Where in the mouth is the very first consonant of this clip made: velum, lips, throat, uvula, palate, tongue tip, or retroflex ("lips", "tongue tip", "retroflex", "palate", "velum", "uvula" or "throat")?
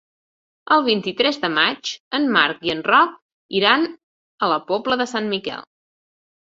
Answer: tongue tip